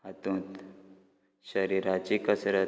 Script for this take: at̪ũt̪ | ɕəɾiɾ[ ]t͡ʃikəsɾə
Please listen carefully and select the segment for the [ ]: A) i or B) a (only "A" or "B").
B